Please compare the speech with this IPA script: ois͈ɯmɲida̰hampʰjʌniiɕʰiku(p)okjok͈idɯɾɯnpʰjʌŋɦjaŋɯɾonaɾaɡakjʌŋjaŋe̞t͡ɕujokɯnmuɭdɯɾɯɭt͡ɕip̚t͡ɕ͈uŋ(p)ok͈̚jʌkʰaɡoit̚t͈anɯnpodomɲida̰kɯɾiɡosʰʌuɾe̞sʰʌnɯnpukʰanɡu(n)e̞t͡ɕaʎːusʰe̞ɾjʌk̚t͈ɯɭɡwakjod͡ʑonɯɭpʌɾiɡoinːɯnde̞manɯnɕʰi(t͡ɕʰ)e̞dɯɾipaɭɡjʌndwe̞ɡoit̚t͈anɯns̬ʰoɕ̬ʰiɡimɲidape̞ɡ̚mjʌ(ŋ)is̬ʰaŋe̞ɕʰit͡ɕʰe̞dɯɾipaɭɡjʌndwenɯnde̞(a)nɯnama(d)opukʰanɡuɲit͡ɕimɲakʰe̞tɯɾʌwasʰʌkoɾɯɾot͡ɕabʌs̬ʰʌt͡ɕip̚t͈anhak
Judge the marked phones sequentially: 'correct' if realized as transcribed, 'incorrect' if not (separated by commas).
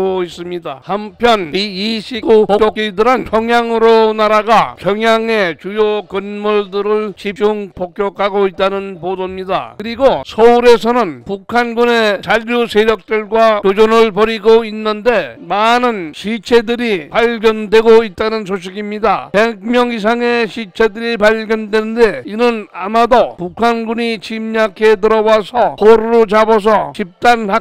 correct, correct, correct, correct, correct, incorrect, correct